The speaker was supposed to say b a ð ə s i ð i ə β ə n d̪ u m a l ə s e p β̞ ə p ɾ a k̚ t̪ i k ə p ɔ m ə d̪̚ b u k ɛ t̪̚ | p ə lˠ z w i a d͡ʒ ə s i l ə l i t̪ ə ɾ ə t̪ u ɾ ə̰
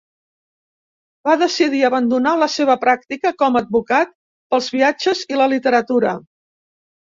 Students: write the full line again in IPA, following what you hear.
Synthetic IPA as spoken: b a ð ə s i ð i ə β ə n d̪ u n a l ə s e β̞ ə p ɾ a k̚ t̪ i k ə k ɔ m ə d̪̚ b u k a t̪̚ | p ə lˠ z β i a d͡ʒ ə z i l ə l i t̪ ə ɾ ə t̪ u ɾ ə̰